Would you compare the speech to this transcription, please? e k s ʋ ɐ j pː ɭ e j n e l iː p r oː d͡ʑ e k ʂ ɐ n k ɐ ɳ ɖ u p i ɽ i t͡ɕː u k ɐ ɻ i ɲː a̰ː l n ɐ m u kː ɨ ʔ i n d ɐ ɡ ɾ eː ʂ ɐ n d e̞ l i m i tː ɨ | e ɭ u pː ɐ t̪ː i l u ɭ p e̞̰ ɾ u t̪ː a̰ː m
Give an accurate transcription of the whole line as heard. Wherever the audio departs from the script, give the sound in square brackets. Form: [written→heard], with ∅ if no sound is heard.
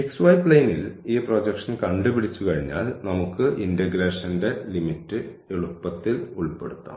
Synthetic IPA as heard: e k s ʋ ɐ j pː ɭ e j n [e→i] l iː p r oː d͡ʑ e k ʂ ɐ n k ɐ ɳ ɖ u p i ɽ i t͡ɕː u k ɐ ɻ i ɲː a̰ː l n ɐ m u kː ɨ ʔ i n d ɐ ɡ ɾ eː ʂ ɐ n d e̞ l i m i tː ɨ | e ɭ u pː ɐ t̪ː i l u ɭ p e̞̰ [ɾ→ɽ] u t̪ː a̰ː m